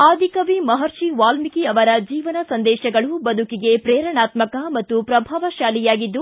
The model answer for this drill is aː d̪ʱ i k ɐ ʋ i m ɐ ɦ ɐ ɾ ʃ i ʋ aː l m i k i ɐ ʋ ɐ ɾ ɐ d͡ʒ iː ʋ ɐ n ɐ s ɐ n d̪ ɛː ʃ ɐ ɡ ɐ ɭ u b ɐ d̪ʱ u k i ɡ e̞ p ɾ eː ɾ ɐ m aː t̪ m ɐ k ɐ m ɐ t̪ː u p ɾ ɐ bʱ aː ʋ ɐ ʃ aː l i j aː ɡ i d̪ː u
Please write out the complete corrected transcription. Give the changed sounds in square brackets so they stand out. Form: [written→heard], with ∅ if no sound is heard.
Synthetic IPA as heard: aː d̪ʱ i k ɐ ʋ i m ɐ ɦ ɐ ɾ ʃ i ʋ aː l m i k i ɐ ʋ ɐ ɾ ɐ d͡ʒ iː ʋ ɐ n ɐ s ɐ n d̪ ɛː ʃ ɐ ɡ ɐ ɭ u b ɐ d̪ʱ u k i ɡ e̞ p ɾ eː ɾ ɐ [m→ɳ] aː t̪ m ɐ k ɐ m ɐ t̪ː u p ɾ ɐ bʱ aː ʋ ɐ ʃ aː l i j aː ɡ i d̪ː u